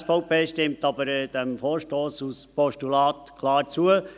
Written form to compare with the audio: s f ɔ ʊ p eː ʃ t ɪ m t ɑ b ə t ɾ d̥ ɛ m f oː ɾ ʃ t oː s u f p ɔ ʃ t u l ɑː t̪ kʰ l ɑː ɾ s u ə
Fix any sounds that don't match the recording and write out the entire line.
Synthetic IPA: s f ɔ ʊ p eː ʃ t ɪ m t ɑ b ə ɾ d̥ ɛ m f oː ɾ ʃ t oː s u s p ɔ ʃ t u l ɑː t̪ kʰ l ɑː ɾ t͡s u ə